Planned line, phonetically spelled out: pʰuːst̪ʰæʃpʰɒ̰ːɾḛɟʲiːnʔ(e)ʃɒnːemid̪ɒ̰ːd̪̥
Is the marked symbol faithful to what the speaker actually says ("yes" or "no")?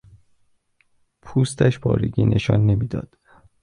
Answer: yes